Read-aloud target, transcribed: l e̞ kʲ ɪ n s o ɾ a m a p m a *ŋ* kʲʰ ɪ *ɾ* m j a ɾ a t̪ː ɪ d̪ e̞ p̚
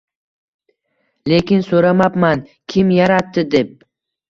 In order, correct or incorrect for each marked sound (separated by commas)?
incorrect, incorrect